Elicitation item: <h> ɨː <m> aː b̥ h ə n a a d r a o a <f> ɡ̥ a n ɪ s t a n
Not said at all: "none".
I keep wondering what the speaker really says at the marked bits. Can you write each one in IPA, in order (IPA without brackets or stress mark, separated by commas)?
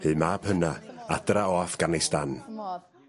h, m, f